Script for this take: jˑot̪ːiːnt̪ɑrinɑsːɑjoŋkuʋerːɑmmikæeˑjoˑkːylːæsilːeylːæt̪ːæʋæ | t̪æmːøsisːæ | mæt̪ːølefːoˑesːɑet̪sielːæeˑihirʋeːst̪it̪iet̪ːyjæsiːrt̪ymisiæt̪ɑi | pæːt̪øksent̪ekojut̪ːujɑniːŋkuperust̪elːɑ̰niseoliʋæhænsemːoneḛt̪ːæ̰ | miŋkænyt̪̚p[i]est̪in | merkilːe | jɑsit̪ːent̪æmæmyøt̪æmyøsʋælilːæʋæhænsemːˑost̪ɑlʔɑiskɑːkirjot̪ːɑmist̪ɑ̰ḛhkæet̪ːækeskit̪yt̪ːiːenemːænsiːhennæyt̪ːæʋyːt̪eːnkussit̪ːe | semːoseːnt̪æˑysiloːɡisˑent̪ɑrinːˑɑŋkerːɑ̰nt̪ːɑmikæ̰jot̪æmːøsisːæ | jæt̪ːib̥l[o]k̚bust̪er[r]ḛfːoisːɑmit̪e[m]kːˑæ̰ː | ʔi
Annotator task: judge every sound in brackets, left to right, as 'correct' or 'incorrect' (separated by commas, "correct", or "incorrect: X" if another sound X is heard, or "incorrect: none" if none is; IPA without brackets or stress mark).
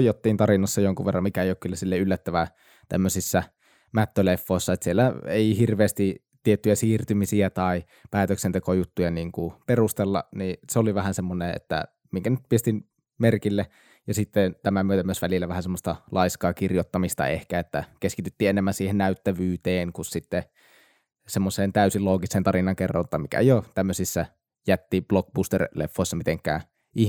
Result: correct, correct, incorrect: l, incorrect: ŋ